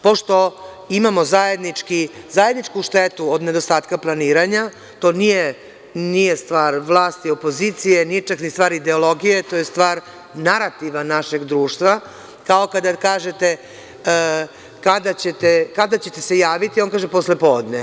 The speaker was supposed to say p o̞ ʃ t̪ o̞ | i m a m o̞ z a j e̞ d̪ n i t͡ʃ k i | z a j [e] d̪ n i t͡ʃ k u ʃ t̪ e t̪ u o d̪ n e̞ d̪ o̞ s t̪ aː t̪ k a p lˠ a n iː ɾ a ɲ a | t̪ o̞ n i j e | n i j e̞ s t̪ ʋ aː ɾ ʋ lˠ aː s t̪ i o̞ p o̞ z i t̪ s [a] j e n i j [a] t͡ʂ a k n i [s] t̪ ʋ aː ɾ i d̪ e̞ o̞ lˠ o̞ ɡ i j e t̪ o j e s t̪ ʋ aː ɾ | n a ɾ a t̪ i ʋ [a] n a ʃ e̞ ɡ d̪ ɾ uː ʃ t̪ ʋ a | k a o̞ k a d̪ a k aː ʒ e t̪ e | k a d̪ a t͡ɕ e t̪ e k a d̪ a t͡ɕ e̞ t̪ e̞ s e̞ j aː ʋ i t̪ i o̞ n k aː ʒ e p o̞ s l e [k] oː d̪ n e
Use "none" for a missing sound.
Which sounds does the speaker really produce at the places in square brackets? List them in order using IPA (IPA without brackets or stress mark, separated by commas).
e, i, e, s, a, p